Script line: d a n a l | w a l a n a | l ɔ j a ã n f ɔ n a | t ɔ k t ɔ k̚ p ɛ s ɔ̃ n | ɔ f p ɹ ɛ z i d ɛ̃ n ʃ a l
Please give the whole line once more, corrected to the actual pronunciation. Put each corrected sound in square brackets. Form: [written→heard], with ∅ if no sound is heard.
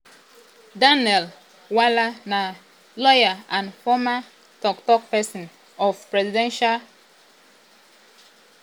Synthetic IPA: d a n [a→ɛ] l | w a l a n a | l ɔ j a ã n f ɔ [n→m] a | t ɔ k t ɔ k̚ p ɛ s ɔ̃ n | ɔ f p ɹ ɛ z i d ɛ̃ n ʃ a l

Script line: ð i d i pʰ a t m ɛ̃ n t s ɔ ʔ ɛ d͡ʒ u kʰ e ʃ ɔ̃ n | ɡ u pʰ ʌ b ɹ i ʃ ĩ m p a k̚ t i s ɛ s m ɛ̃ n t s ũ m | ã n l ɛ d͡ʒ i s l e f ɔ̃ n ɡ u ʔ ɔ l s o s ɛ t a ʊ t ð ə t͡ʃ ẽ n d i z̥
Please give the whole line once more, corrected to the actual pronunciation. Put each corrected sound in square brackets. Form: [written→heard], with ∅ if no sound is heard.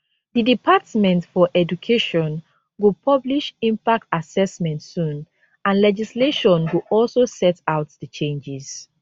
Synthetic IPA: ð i d i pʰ a t m ɛ̃ n t [s→f] ɔ ʔ ɛ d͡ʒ u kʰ e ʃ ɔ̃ n | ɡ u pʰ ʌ b [ɹ→l] i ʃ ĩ m p a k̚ t [i→a] s ɛ s m ɛ̃ n t s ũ [m→n] | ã n l ɛ d͡ʒ i s l e [f→ʃ] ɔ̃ n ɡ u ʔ ɔ l s o s ɛ t a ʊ t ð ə t͡ʃ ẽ n [d→d͡ʒ] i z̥

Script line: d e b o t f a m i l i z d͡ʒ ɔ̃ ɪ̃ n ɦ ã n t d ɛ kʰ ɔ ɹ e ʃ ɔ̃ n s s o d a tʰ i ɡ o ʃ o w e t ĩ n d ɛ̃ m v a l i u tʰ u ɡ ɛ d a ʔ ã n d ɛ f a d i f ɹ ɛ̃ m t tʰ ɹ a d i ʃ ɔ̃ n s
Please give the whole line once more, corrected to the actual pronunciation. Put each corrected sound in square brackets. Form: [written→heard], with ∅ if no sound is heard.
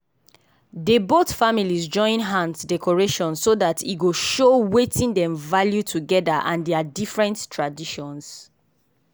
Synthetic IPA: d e b o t f a m i l i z d͡ʒ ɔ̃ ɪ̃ n ɦ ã n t d ɛ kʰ ɔ ɹ e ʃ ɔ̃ n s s o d a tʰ i ɡ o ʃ o w e t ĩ n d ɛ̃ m v a l [i→j] u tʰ u ɡ ɛ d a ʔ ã n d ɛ [f→∅] a d i f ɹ ɛ̃ [m→n] t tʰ ɹ a d i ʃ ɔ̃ n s

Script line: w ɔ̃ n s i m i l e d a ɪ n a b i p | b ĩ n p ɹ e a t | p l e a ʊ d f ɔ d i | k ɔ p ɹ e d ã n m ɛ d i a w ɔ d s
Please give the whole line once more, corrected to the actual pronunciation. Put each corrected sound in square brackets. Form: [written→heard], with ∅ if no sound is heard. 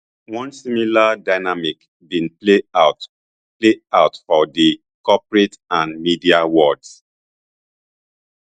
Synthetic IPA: w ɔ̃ n s i m i l [e→a] d a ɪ n a [b→m] i [p→k] | b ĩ n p [ɹ→l] e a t | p l e a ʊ [d→t] f ɔ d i | k ɔ p ɹ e [d→t] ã n m [ɛ→i] d i a w ɔ d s

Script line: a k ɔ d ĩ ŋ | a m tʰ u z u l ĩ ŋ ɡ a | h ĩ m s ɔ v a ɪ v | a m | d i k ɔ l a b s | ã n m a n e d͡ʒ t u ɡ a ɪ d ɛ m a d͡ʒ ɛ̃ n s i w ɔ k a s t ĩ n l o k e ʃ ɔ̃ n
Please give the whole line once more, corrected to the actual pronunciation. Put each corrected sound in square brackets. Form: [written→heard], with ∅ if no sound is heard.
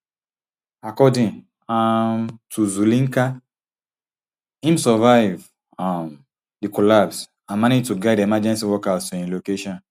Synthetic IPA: a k ɔ d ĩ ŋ | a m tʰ u z u l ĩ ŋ [ɡ→k] a | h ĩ m s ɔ v a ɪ v | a m | d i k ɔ l a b s | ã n m a n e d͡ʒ t u ɡ a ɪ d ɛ m a d͡ʒ ɛ̃ n s i w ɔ k a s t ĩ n l o k e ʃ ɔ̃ n

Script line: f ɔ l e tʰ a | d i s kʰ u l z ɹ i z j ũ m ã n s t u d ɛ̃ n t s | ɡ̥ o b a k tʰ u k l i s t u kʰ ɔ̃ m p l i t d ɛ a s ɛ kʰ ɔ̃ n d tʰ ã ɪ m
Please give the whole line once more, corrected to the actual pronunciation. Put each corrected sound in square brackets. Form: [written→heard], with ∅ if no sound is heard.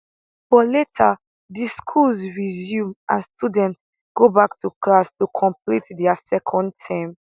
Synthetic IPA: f ɔ l e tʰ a | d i s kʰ u l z ɹ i z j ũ m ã n s t u d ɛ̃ n t s | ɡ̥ o b a k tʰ u k l [i→a] s t u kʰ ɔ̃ m p l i t d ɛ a s ɛ kʰ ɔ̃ n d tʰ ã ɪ m

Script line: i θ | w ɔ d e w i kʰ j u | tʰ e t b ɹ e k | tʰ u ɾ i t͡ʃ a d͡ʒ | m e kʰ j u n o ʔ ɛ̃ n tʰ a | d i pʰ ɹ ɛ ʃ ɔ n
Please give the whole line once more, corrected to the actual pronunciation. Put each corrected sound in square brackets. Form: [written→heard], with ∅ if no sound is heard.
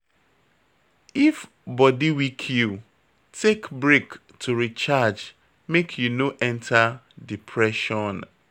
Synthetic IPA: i [θ→f] | [w→b] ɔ d [e→i] w i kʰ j u | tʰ e [t→k] b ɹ e k | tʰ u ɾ i t͡ʃ a d͡ʒ | m e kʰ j u n o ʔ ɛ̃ n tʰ a | d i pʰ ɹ ɛ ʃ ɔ n

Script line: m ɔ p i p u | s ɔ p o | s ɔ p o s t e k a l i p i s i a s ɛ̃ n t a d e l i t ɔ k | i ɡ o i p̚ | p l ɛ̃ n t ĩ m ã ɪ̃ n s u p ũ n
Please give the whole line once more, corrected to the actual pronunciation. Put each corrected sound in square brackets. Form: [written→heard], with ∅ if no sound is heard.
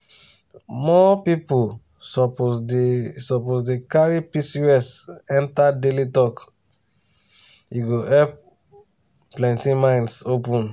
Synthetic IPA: m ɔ p i p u | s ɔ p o | s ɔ p o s [t→d] e k a [l→ɹ] i p i s i [a→ɛ] s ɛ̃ n t a d e l i t ɔ k | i ɡ o [i→ɛ] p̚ | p l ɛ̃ n t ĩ m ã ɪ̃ n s [u→o] p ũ n

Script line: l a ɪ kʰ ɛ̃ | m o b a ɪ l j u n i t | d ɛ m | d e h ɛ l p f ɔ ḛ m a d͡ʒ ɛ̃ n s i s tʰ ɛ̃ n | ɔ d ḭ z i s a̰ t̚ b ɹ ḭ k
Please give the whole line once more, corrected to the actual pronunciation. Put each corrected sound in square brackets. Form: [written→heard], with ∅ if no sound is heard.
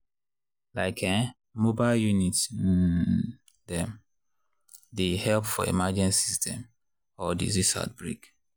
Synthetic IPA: l a ɪ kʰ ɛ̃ | m o b a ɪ l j u n i t | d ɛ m | d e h ɛ l p f ɔ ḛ m a d͡ʒ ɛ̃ n s i s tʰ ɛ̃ [n→m] | ɔ d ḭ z i s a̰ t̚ b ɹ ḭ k

